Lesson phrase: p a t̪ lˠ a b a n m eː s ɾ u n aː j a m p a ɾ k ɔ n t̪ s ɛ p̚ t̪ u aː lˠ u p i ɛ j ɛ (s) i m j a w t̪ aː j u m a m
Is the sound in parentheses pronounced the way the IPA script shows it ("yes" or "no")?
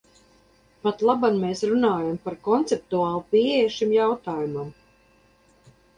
no